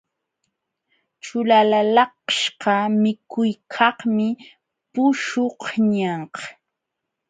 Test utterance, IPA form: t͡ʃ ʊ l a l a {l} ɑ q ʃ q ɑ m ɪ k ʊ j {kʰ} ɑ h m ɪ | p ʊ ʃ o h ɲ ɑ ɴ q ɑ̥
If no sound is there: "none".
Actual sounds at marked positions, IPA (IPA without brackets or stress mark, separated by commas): l, kʰ